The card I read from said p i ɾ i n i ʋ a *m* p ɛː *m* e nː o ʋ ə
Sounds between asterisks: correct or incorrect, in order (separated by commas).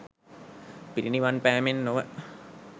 incorrect, correct